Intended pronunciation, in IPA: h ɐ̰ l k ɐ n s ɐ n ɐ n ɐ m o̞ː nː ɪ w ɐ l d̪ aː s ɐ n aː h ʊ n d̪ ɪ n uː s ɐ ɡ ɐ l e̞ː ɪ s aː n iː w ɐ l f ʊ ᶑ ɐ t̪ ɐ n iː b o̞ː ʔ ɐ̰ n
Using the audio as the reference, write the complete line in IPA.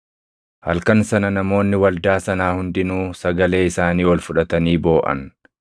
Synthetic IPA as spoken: h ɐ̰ l k ɐ n s ɐ n ɐ n ɐ m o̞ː nː ɪ w ɐ l d̪ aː s ɐ n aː h ʊ n d̪ ɪ n uː s ɐ ɡ ɐ l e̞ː ɪ s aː n iː w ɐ l f ʊ ᶑ ɐ t̪ ɐ n iː b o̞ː ʔ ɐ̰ n